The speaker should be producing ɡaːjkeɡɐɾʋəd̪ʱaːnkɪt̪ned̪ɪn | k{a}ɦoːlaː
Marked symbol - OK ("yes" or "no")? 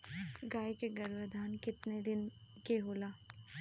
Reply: no